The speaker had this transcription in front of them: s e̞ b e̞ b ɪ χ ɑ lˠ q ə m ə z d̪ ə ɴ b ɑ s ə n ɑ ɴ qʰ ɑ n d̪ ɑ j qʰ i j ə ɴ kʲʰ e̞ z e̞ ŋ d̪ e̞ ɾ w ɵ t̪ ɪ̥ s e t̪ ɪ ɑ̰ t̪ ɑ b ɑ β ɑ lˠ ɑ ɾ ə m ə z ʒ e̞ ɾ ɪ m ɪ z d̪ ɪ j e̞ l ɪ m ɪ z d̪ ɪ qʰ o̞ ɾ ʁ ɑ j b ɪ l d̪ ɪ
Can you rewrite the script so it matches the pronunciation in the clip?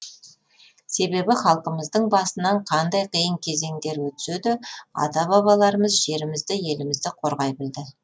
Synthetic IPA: s e̞ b e̞ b ɪ χ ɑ lˠ q ə m ə z d̪ ə ɴ b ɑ s ə n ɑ ɴ qʰ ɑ n d̪ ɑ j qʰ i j ə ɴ kʲʰ e̞ z e̞ ŋ d̪ e̞ ɾ w ɵ t̪ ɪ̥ s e d̪ ɪ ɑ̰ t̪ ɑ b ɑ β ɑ lˠ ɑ ɾ ə m ə z ʒ e̞ ɾ ɪ m ɪ z d̪ ɪ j e̞ l ɪ m ɪ z d̪ ɪ qʰ o̞ ɾ ʁ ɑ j b ɪ l d̪ ɪ